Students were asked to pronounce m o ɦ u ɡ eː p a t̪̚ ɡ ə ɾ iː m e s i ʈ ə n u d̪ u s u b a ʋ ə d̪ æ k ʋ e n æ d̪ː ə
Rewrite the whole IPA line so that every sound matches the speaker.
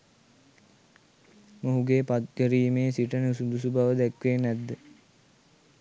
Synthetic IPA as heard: m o ɦ u ɡ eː p a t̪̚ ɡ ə ɾ iː m e s i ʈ ə n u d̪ u s u b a ʋ ə d̪ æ k ʋ e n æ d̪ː ə